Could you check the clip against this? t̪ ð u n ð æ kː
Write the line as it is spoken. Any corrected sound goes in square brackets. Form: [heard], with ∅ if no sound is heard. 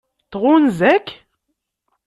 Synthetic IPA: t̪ [ʁ] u n [z] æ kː